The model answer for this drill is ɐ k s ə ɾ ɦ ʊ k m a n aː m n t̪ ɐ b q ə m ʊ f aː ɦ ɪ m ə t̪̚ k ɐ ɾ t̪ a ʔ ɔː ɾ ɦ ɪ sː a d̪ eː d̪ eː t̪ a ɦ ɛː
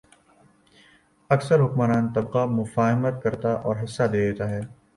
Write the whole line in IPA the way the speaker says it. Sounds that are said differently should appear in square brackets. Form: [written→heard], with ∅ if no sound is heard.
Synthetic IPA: ɐ k s ə ɾ ɦ ʊ k m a n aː [m→∅] n t̪ ɐ b q [ə→a] m ʊ f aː ɦ ɪ m ə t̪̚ k ɐ ɾ t̪ a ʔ ɔː ɾ ɦ ɪ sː a d̪ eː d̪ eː t̪ a ɦ ɛː